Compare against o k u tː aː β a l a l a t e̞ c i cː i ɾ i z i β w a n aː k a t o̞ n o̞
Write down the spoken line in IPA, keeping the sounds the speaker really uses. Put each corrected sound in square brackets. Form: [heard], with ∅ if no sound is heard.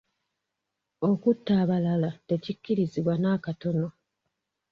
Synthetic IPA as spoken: o k u tː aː β a l a l a t e̞ c i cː i ɾ i z i β w a n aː k a t o̞ n o̞

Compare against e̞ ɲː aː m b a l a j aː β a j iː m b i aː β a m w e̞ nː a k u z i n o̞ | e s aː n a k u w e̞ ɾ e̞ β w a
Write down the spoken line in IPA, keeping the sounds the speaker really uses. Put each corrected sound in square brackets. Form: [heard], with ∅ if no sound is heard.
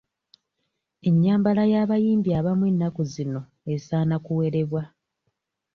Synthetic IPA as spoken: e̞ ɲː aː m b a l a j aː β a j iː m b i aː β a m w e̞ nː a k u z i n o̞ | e s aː n a k u w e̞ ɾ e̞ β w a

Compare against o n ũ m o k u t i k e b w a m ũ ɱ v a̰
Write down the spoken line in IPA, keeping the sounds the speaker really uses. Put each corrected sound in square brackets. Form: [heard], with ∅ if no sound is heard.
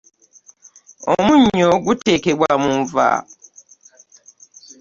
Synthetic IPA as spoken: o [m] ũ [ɲ] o [ɡ] u t [e] k e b w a m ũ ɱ v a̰

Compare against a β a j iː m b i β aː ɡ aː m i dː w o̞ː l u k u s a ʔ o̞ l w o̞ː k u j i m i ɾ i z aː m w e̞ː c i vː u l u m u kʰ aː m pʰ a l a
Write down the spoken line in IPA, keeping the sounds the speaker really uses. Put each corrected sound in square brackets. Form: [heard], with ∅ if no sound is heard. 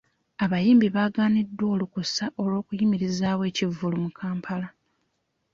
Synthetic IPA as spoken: a β a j iː m b i β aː ɡ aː [n] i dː w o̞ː l u k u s a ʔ o̞ l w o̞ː k u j i m i ɾ i z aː [∅] w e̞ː c i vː u l u m u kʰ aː m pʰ a l a

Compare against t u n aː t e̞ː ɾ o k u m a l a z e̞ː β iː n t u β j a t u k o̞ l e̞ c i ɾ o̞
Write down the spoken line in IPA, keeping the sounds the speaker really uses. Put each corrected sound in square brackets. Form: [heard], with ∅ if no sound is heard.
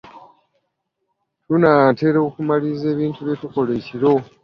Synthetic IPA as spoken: t u n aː t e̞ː ɾ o k u m a l [i] z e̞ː β iː n t u β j [e] t u k o̞ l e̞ c i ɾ o̞

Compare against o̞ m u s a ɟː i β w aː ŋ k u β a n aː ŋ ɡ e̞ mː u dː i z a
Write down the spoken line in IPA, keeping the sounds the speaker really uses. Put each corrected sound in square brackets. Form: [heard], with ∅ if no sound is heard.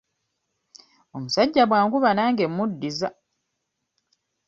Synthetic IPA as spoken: o̞ m u s a ɟː [a] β w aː ŋ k u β a n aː ŋ ɡ e̞ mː u dː i z a

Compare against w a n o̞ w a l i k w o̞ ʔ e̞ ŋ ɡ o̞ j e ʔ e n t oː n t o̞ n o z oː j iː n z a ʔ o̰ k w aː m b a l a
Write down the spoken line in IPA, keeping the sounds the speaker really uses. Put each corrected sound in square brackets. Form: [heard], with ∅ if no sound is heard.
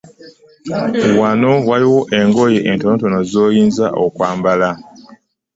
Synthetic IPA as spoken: w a n o̞ w a l i [∅] w o̞ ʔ e̞ ŋ ɡ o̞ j e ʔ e n t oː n t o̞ n o z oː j iː n z a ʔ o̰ k w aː m b a l a

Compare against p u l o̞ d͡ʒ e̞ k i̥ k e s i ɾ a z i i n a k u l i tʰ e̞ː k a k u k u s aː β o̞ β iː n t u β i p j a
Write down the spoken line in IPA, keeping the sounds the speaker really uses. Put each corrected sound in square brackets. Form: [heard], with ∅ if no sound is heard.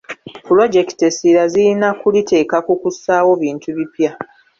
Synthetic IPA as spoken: p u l o̞ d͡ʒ e̞ k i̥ [t] e s i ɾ a z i i n a k u l i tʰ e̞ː k a k u k u s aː [w] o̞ β iː n t u β i p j a

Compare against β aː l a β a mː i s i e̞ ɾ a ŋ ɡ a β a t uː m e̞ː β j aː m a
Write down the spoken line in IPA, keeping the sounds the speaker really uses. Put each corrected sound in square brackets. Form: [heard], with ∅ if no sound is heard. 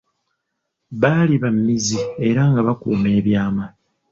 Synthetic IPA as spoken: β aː l [i] β a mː i [z] i e̞ ɾ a ŋ ɡ a β a [k] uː m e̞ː β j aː m a

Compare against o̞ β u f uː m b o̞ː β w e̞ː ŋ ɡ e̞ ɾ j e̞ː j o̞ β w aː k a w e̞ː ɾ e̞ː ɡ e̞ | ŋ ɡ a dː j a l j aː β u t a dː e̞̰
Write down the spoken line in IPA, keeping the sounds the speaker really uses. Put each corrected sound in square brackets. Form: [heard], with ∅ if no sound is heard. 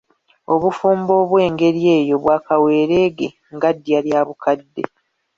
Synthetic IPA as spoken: o̞ β u f uː m b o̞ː β w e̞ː ŋ ɡ e̞ ɾ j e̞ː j o̞ β w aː k a w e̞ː ɾ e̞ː ɡ e̞ | ŋ ɡ a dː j a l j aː β u [k] a dː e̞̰

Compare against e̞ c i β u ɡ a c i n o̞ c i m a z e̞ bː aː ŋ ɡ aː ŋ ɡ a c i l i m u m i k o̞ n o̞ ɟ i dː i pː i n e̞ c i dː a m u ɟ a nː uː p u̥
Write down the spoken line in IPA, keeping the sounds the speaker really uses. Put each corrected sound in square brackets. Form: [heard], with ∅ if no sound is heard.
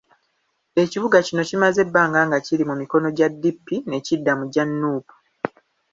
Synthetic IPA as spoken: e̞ c i β u ɡ a c i n o̞ c i m a z e̞ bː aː ŋ ɡ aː ŋ ɡ a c i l i m u m i k o̞ n o̞ ɟ [a] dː i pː i n e̞ c i dː a m u ɟ a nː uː p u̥

